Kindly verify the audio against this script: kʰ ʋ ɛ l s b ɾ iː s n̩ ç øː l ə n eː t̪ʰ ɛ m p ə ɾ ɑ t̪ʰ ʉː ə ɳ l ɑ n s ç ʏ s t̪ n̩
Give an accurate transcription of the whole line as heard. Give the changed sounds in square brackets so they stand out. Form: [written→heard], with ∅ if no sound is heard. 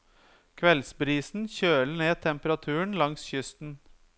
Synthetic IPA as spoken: kʰ ʋ ɛ l s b ɾ iː s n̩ ç øː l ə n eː t̪ʰ ɛ m p ə ɾ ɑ t̪ʰ ʉː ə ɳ l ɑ [n→ŋ] s ç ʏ s t̪ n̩